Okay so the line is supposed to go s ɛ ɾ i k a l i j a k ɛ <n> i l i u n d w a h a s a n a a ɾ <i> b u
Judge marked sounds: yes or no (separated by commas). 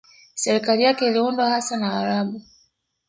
no, no